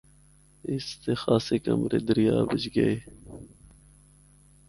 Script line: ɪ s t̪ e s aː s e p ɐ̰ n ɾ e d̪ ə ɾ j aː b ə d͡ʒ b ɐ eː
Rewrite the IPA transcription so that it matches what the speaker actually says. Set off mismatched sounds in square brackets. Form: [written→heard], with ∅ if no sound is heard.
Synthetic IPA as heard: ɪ s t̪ e [s→x] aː s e [p→k] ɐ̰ [n→m] ɾ e d̪ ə ɾ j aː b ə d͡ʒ [b→ɡ] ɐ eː